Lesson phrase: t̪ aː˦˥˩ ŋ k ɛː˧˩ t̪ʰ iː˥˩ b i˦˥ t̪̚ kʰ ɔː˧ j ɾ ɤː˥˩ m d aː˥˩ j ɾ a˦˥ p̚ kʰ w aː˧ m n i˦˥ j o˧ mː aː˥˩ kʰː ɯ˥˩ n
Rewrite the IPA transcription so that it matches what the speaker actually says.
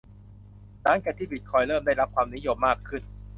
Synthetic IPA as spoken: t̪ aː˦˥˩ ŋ k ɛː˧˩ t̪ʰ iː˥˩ b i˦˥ t̪̚ kʰ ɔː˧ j ɾ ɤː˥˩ m d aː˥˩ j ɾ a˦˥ p̚ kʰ w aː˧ m n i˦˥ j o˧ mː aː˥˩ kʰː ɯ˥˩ n